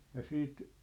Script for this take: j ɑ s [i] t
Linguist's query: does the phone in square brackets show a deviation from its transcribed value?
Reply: yes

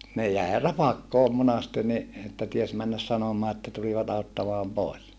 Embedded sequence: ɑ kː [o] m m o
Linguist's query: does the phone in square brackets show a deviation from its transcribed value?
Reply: yes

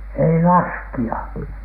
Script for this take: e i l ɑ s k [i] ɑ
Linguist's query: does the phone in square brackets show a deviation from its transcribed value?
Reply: no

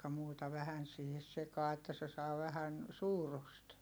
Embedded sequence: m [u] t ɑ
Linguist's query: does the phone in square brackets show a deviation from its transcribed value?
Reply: yes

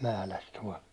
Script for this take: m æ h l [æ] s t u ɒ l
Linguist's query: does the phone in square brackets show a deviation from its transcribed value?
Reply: no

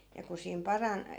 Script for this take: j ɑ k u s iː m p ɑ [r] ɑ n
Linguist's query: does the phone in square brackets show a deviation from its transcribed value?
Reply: no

